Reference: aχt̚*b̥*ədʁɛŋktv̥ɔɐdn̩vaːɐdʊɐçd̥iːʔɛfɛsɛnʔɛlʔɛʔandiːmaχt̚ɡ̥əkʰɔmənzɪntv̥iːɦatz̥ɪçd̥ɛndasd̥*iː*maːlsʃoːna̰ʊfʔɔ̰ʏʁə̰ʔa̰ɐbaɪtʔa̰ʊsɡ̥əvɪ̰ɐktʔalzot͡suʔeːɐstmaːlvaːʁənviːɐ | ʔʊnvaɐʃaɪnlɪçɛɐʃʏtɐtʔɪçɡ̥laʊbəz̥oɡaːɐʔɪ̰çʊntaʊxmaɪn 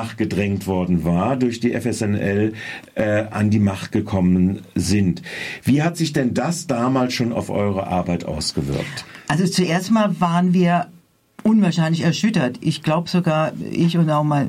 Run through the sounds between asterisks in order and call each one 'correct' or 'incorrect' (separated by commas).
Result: incorrect, incorrect